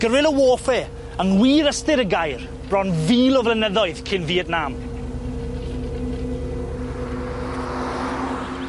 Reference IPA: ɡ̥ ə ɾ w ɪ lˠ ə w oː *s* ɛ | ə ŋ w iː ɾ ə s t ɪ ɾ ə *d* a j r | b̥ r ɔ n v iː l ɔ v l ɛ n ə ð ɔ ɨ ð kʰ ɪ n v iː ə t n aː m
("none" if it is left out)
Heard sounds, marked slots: f, ɡ

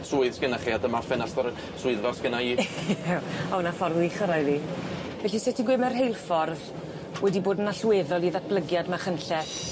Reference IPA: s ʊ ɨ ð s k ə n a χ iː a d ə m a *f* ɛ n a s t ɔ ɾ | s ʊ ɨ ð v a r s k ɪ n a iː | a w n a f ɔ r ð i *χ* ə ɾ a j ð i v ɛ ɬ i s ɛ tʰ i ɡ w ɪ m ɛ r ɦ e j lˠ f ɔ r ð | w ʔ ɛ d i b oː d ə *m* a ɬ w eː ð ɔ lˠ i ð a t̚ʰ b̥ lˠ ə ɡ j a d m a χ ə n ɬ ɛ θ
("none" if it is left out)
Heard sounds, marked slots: f, χ, n

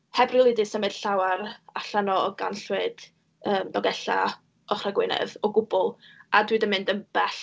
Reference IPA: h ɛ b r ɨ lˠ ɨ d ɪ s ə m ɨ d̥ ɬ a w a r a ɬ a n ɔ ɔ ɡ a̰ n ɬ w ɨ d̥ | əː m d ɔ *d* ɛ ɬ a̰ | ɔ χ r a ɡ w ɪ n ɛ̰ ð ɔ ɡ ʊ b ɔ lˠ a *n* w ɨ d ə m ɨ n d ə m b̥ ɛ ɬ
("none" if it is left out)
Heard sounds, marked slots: ɡ, d

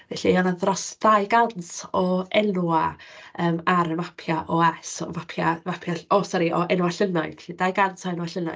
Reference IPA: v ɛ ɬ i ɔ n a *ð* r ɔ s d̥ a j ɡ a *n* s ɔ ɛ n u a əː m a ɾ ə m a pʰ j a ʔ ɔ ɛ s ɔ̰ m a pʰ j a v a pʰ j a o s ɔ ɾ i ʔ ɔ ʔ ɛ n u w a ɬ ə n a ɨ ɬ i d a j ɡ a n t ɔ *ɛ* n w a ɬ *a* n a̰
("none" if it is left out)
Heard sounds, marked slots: ð, n, ɛ, ə

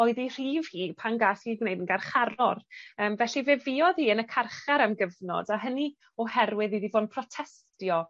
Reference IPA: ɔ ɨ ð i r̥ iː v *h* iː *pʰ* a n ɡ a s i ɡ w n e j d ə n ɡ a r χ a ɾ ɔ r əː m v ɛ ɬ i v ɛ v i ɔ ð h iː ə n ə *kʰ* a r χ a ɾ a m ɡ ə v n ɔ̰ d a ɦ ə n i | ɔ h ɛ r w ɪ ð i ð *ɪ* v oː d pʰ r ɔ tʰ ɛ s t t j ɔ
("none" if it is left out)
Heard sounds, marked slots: h, pʰ, kʰ, i

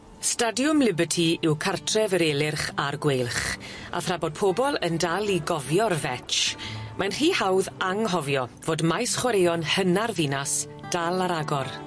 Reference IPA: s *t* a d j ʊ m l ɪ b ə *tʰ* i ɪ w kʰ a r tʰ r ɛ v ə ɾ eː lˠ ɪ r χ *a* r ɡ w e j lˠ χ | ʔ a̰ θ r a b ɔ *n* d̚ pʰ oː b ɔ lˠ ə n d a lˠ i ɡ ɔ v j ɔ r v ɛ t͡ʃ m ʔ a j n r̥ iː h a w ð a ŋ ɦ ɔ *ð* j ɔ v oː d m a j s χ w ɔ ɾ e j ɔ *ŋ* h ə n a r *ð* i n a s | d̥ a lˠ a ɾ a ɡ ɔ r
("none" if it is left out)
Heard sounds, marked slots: t, tʰ, a, none, v, n, v

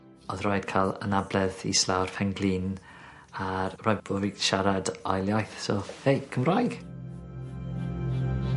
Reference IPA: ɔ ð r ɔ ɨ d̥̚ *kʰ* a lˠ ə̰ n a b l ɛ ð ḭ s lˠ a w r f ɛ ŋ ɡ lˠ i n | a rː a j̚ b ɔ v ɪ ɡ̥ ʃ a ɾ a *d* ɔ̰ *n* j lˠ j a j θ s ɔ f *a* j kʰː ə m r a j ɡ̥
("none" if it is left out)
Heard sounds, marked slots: kʰ, d, none, e

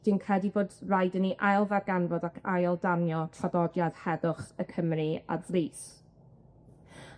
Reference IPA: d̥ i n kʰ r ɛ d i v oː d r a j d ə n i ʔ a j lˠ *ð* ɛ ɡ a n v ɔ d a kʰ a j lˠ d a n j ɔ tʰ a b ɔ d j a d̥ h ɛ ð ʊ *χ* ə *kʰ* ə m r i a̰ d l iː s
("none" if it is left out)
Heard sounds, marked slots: v, χ, kʰ

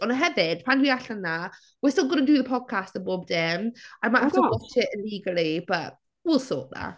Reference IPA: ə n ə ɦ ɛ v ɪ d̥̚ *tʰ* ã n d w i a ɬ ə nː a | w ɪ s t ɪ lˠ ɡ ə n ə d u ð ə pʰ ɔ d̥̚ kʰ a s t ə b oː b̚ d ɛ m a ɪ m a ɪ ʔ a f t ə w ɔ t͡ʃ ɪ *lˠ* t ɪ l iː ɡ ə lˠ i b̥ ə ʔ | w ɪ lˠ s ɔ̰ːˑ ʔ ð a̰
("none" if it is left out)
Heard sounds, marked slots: pʰ, none

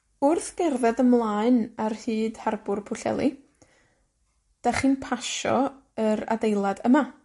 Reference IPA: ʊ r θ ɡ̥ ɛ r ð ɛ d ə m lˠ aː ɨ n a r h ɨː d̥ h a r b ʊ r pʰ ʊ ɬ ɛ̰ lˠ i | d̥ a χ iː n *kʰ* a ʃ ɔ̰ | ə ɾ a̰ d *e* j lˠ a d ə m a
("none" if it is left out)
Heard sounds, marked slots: pʰ, e

